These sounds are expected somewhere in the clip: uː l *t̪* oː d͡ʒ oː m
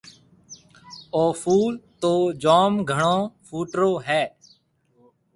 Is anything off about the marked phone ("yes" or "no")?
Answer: no